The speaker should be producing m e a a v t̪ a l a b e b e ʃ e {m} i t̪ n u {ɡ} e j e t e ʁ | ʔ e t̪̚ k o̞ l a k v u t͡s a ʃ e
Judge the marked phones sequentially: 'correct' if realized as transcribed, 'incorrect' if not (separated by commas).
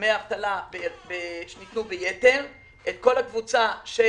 incorrect, incorrect